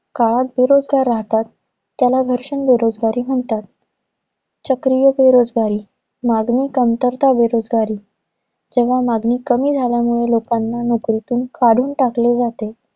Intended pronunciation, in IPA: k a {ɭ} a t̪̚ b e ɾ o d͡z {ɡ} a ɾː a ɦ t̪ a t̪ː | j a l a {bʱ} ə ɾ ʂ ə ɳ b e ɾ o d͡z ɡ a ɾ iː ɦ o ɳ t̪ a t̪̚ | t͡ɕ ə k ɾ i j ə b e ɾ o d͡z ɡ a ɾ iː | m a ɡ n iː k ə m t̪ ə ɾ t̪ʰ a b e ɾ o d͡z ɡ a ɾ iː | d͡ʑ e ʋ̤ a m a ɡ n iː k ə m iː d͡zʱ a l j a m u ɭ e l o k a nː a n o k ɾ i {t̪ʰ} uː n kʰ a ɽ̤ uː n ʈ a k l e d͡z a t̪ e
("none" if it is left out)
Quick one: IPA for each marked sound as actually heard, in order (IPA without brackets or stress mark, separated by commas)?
ɭ, ɡ, ɡʱ, t̪